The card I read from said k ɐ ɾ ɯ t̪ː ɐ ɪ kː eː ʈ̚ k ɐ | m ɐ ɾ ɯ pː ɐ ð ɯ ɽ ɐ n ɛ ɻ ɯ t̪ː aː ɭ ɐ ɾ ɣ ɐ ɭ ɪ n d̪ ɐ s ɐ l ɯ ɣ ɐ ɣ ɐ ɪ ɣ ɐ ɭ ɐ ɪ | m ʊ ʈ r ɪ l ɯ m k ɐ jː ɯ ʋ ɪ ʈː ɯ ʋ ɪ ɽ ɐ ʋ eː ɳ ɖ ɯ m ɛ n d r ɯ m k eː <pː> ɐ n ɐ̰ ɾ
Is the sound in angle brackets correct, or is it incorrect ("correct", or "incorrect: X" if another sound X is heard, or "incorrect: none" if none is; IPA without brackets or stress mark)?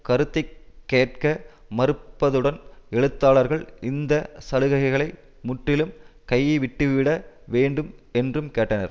incorrect: ʈː